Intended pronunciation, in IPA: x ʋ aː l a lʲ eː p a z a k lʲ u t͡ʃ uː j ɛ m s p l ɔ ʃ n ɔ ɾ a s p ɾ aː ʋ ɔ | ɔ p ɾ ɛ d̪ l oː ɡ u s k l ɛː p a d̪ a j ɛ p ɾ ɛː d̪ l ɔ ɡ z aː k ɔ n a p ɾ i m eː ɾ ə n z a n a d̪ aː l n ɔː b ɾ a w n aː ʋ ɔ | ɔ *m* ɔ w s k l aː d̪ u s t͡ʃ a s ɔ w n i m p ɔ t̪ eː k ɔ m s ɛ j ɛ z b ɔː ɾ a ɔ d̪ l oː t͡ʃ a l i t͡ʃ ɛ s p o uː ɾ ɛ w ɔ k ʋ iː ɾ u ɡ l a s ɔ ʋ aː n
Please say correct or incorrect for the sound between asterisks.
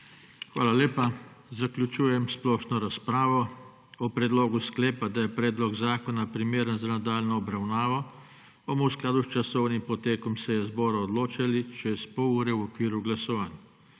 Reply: correct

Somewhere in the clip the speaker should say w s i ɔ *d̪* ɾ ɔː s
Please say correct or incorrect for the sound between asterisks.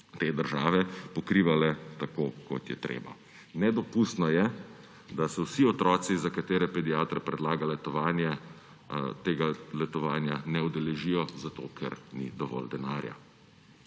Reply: incorrect: t̪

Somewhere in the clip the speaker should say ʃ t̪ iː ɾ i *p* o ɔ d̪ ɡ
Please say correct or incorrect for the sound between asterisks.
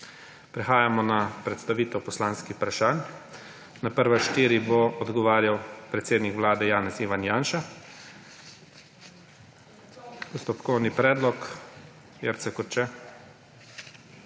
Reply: incorrect: b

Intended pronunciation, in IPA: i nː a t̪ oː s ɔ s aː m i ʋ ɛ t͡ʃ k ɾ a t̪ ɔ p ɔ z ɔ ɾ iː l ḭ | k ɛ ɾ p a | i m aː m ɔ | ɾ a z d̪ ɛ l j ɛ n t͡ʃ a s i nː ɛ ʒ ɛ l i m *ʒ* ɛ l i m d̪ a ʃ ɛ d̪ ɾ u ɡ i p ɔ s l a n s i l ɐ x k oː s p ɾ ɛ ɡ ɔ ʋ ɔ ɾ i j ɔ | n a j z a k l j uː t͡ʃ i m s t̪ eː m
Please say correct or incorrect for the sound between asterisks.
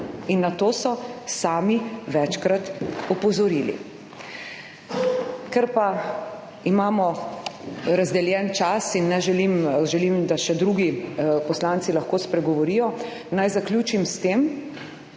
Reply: correct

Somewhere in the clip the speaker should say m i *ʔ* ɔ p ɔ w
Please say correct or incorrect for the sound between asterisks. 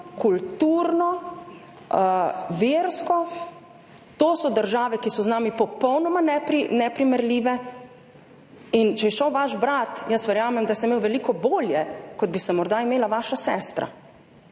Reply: incorrect: p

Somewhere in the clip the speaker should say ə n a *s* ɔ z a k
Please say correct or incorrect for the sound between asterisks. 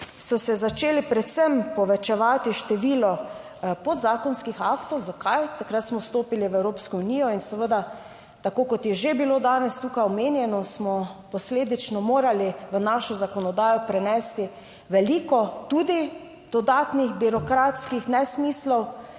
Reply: incorrect: ʃ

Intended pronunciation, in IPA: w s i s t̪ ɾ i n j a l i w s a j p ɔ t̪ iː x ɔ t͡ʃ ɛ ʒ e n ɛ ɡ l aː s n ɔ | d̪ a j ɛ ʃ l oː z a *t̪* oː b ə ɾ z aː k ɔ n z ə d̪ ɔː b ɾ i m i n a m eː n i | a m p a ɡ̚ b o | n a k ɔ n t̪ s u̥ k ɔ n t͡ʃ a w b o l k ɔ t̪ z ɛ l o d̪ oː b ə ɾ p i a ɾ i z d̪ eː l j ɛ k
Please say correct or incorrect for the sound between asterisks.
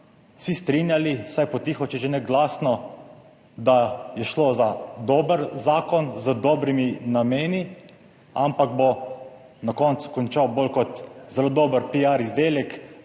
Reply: incorrect: d̪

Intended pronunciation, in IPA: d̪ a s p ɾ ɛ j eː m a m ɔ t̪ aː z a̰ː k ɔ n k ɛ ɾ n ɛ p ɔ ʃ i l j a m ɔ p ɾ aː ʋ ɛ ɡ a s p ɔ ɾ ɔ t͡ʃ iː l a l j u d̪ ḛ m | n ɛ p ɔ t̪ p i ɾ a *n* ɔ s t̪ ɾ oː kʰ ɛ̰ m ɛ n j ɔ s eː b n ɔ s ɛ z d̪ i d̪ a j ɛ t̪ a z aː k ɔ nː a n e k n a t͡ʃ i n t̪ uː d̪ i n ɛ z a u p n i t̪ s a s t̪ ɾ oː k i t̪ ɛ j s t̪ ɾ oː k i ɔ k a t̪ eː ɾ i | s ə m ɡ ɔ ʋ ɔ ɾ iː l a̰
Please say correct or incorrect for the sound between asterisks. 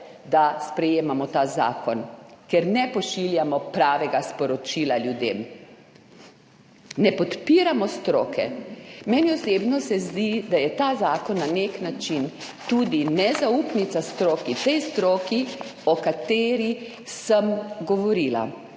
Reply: incorrect: m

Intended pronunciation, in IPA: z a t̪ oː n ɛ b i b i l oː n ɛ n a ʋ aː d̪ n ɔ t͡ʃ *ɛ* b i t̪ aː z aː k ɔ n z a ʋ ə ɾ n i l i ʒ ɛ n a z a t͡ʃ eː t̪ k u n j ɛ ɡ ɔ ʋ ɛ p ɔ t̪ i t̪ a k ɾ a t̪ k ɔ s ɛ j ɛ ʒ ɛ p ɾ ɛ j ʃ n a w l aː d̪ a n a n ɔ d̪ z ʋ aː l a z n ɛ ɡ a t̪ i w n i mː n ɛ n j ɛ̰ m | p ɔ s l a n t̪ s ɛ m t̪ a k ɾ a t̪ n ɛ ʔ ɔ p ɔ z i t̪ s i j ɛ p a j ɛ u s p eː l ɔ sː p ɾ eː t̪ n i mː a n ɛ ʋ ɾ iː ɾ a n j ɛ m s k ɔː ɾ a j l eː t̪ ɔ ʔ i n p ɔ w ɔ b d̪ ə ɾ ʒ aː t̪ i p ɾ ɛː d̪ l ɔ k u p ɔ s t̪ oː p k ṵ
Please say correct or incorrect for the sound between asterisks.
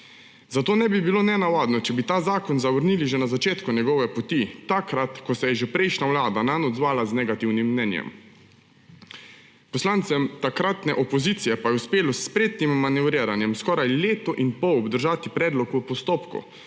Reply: correct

